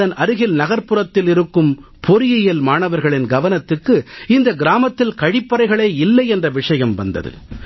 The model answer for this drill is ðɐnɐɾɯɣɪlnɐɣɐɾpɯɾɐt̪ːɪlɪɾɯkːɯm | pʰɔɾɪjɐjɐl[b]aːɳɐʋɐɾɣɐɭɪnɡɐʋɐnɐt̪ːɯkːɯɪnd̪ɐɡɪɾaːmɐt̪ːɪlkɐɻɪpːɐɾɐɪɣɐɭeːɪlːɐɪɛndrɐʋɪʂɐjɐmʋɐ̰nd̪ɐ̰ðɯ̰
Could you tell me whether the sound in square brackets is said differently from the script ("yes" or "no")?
yes